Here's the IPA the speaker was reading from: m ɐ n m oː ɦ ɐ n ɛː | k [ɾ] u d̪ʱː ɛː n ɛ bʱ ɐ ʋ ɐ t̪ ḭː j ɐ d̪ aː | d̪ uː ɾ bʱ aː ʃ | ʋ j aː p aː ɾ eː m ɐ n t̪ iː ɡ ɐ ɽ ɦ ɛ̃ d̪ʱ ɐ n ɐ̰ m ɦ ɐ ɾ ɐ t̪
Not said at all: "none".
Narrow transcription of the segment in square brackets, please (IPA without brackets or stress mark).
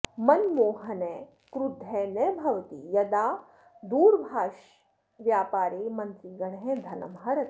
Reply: ɾ